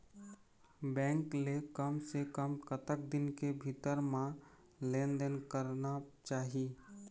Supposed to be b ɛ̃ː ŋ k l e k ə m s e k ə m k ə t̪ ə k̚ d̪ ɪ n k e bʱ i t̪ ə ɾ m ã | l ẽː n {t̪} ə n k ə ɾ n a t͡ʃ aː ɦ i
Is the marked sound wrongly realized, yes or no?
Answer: yes